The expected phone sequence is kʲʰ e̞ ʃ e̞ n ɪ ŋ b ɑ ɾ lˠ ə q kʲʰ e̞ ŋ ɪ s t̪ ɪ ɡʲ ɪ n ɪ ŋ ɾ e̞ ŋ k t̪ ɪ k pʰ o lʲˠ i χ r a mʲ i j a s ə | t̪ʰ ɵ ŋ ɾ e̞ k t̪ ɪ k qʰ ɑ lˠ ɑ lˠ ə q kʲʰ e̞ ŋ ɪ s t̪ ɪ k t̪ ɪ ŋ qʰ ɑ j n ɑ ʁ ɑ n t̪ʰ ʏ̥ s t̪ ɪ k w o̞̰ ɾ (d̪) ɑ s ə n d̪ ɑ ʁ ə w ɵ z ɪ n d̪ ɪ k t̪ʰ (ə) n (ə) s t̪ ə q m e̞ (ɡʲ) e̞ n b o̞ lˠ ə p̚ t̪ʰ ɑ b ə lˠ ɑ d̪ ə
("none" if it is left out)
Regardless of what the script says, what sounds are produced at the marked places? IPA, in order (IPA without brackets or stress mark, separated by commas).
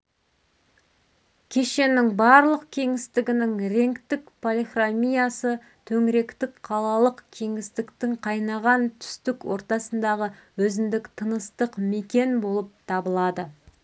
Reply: t̪, ə, ə, kʲ